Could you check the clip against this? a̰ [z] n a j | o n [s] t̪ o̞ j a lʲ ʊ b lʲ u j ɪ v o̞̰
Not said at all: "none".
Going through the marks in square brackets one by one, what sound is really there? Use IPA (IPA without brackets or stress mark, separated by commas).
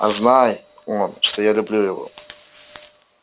z, ʂ